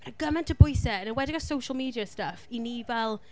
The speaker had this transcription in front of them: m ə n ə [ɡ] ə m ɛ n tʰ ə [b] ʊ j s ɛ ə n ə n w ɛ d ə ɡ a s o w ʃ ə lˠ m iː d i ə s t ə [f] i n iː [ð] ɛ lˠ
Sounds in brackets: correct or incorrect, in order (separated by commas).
correct, correct, correct, incorrect